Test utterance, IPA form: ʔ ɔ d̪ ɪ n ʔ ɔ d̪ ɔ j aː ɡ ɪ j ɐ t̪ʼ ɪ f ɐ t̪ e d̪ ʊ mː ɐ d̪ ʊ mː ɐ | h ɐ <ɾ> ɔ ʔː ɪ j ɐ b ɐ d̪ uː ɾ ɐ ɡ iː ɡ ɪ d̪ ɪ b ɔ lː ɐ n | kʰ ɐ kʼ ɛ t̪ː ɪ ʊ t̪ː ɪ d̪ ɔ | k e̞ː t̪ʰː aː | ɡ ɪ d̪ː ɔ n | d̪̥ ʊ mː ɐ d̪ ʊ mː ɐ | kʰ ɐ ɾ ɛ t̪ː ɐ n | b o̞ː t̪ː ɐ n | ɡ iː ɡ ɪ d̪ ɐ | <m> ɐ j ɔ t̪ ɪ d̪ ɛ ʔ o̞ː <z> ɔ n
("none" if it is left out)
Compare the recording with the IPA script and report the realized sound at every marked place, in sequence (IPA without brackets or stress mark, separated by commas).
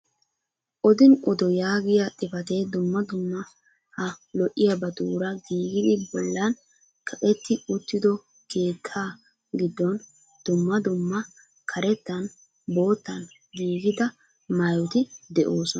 l, m, s